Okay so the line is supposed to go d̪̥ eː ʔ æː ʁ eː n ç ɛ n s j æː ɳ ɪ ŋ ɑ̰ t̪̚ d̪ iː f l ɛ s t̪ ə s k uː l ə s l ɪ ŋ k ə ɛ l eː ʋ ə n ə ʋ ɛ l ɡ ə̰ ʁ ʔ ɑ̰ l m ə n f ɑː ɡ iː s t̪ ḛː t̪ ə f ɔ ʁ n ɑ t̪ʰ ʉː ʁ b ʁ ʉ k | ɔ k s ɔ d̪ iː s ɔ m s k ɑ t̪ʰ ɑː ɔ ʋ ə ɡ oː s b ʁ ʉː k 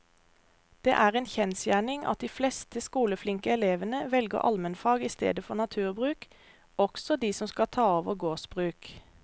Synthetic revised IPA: d̪̥ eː ʔ æː ʁ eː n ç ɛ n s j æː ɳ ɪ ŋ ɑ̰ t̪̚ d̪ iː f l ɛ s t̪ ə s k uː l ə f l ɪ ŋ k ə ɛ l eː ʋ ə n ə ʋ ɛ l ɡ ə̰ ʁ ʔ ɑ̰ l m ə n f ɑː ɡ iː s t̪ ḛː d̪ ə f ɔ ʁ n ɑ t̪ʰ ʉː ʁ b ʁ ʉː k | ɔ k s ɔ d̪ iː s ɔ m s k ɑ t̪ʰ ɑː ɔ ʋ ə ɡ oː s b ʁ ʉː k